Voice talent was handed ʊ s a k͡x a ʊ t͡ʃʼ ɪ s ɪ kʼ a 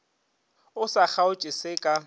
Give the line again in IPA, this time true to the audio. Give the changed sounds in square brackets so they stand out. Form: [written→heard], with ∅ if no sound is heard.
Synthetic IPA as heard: ʊ s a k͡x a ʊ t͡ʃʼ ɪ s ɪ kʼ a